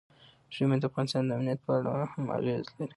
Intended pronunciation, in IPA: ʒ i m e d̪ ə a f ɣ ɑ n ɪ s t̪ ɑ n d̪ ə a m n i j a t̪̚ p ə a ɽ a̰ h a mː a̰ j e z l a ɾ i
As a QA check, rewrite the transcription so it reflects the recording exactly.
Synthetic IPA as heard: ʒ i m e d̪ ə a f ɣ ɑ n ɪ s t̪ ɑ n d̪ ə a m n i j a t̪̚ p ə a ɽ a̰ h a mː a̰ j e z l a ɾ i